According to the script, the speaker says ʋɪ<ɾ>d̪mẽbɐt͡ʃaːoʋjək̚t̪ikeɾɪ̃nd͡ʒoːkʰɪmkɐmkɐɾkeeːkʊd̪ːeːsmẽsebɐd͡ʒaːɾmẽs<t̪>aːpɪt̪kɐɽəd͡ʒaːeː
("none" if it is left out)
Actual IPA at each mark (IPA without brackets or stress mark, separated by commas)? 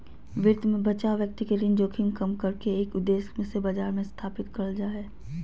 ɾ, t̪ʰ